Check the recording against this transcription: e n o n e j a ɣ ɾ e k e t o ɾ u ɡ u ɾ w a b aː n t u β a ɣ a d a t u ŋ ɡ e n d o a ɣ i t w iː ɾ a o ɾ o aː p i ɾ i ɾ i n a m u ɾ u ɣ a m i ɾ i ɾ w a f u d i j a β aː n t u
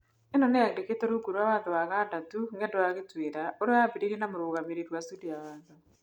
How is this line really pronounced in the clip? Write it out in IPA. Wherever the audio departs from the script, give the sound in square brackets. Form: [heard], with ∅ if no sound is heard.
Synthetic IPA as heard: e n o n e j a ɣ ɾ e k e t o ɾ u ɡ u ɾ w a [β] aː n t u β a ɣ a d a t u ŋ ɡ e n d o a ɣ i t w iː ɾ a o ɾ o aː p i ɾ i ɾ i n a m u ɾ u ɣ a m i ɾ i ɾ w a [s] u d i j a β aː n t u